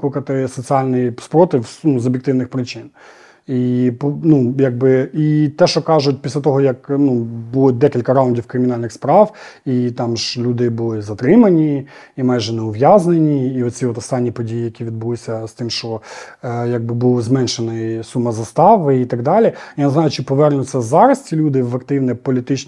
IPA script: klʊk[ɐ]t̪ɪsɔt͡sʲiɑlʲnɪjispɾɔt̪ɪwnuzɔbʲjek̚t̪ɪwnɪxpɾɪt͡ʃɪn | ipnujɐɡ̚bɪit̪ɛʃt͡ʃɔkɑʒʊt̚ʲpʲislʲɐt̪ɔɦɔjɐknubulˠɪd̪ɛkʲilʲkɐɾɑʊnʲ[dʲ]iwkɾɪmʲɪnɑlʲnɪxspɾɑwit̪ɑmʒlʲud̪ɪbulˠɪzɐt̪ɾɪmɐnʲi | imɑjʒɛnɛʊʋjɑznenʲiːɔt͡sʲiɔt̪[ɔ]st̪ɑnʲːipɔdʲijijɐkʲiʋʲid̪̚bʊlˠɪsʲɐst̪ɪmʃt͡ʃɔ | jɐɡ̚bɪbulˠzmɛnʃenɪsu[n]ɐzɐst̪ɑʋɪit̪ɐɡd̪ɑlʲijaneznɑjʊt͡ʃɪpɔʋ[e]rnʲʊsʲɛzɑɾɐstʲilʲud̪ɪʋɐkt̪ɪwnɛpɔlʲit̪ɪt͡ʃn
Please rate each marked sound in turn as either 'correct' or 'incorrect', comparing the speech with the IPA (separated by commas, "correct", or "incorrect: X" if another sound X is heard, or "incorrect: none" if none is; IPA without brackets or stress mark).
correct, correct, correct, incorrect: m, incorrect: ɛ